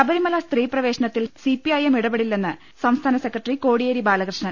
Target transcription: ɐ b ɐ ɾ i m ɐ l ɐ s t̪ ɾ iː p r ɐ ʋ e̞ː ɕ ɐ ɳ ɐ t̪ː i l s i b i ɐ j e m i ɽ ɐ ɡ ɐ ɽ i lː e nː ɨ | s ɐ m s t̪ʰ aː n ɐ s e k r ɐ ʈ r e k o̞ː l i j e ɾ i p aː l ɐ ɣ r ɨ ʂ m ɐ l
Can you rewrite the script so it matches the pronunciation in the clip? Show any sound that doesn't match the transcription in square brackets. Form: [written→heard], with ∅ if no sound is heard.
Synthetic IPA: ɐ b ɐ ɾ i m ɐ l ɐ s t̪ [ɾ→r] iː p r ɐ ʋ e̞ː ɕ ɐ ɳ ɐ t̪ː i l s i [b→p] i ɐ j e m i ɽ ɐ [ɡ→b] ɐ ɽ i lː e nː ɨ | s ɐ m s t̪ʰ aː n ɐ s e k r ɐ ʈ r [e→i] k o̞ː [l→ɽ] i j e ɾ i [p→b] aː l ɐ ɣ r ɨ ʂ [m→ɳ] ɐ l